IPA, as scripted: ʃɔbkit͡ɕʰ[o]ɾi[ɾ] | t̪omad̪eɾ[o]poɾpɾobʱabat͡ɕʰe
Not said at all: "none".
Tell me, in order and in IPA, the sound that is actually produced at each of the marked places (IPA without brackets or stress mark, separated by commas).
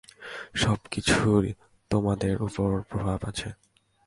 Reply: u, none, u